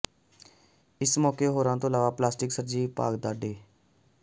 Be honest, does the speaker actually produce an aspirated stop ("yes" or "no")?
no